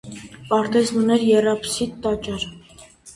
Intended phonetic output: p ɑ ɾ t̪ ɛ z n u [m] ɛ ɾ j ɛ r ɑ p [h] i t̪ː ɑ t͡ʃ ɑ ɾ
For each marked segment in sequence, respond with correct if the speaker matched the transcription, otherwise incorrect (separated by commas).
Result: incorrect, incorrect